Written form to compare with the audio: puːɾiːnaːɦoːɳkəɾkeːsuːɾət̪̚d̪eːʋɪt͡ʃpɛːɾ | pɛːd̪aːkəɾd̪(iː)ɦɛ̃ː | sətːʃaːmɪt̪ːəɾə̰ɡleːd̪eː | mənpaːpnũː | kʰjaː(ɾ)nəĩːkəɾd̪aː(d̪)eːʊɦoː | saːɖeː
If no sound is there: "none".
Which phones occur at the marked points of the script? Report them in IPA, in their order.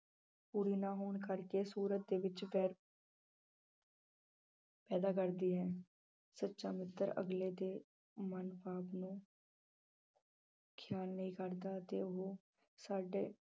iː, l, t̪

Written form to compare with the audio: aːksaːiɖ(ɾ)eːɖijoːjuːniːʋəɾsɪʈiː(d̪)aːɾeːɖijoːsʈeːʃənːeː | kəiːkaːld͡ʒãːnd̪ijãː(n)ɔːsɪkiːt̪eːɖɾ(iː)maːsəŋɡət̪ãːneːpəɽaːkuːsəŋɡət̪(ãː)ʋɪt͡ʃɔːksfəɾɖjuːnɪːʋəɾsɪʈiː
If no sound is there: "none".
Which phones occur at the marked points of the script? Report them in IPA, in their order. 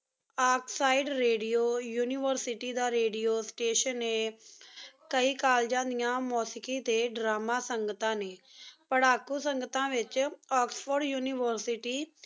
ɾ, d̪, m, aː, ãː

